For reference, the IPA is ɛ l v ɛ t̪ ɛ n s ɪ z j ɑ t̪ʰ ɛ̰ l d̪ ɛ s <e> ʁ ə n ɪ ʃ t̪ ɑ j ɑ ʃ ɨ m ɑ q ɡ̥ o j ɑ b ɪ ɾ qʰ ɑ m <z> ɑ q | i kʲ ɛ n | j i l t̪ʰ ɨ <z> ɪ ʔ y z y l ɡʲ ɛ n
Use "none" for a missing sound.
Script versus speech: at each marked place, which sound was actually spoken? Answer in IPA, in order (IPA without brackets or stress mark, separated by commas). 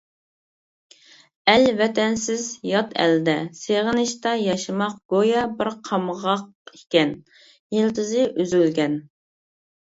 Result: e, ʁ, z